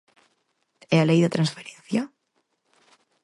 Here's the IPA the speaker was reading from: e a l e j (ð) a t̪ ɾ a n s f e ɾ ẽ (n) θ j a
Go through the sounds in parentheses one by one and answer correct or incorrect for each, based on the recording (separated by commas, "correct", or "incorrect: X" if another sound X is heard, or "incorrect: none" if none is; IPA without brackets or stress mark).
correct, correct